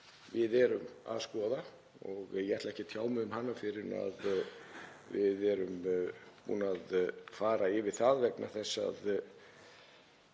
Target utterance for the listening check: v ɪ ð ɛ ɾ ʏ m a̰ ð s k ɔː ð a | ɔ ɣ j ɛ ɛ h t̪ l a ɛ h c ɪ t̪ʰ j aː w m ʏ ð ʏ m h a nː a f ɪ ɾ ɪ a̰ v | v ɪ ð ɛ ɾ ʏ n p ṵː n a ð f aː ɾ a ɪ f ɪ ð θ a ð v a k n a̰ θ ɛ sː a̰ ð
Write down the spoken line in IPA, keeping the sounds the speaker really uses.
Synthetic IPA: v ɪ ð ɛ ɾ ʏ m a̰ ð s k ɔː ð a | ɔ ɣ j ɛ ɛ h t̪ l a ɛ h c ɪ t̪ʰ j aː w m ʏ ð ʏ m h a nː a f ɪ ɾ ɪ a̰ ð | v ɪ ð ɛ ɾ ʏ m p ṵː n a ð f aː ɾ a ɪ v ɪ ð θ a ð v ɛ k n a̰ θ ɛ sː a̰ ð